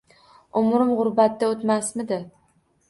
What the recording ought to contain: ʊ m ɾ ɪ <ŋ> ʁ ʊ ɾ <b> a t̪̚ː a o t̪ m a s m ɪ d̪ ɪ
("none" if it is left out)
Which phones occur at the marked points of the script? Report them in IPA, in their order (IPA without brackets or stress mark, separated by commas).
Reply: m, b